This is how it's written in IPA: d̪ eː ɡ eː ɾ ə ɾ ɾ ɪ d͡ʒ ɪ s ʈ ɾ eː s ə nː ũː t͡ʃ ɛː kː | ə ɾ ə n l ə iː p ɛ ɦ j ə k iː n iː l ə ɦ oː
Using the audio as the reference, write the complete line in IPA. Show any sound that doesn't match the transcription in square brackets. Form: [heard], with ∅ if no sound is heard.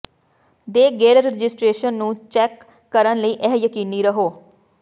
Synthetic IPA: d̪ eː ɡ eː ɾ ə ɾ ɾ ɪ d͡ʒ ɪ s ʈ ɾ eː [ʃ] ə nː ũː t͡ʃ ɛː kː | ə ɾ ə n l ə iː [ʔ] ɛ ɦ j ə k iː n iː [ɾ] ə ɦ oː

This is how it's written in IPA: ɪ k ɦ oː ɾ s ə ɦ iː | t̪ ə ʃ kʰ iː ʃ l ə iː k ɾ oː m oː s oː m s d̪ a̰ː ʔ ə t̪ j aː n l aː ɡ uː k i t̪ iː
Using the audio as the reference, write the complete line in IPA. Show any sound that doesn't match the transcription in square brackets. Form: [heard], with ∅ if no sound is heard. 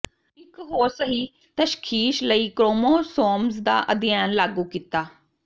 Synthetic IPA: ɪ k ɦ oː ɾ s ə ɦ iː | t̪ ə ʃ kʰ iː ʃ l ə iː k ɾ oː m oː s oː m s d̪ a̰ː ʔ ə [d̪] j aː n l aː ɡ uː k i t̪ [aː]

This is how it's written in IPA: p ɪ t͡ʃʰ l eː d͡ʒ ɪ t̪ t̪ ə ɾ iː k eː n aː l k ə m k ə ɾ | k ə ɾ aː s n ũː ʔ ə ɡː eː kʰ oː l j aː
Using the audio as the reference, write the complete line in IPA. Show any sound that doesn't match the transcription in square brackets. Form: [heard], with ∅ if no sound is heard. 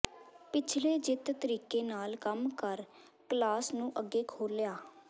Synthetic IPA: p ɪ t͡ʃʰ l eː d͡ʒ ɪ t̪ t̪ ə ɾ iː k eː n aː l k ə m k ə ɾ | k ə [l] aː s n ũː ʔ ə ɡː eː kʰ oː l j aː

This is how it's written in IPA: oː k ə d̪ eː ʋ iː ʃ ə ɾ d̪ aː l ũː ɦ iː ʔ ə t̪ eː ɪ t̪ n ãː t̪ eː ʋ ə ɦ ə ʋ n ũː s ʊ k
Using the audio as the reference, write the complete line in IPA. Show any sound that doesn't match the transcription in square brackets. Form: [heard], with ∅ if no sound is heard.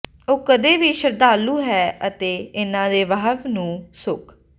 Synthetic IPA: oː k ə d̪ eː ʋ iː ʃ ə ɾ d̪ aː l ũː ɦ [ɛː] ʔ ə t̪ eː ɪ [∅] n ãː [d̪] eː ʋ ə ɦ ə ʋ n ũː s ʊ k

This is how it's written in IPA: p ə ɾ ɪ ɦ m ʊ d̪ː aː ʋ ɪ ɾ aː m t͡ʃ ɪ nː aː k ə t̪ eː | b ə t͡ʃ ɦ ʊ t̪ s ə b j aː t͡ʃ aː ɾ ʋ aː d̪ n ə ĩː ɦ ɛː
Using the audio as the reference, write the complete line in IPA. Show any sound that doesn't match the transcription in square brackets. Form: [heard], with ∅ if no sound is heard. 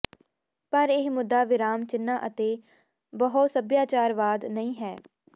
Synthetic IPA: p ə ɾ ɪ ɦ m ʊ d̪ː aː ʋ ɪ ɾ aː m t͡ʃ ɪ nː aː [ʔ] ə t̪ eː | b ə [∅] ɦ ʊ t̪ s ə b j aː t͡ʃ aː ɾ ʋ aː d̪ n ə ĩː ɦ ɛː

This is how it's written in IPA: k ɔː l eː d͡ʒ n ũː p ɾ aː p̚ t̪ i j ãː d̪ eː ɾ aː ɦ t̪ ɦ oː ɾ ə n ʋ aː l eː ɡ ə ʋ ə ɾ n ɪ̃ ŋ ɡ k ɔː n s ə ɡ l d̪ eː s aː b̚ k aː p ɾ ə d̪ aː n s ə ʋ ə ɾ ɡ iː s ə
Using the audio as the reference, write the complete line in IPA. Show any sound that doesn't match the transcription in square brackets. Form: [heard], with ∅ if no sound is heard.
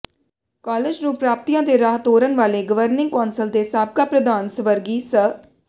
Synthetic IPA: k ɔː l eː d͡ʒ n ũː p ɾ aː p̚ t̪ i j ãː d̪ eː ɾ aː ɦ t̪ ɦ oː ɾ ə n ʋ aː l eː ɡ ə ʋ ə ɾ n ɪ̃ ŋ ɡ k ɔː n s ə [∅] l d̪ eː s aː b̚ k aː p ɾ ə d̪ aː n s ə ʋ ə ɾ ɡ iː s ə

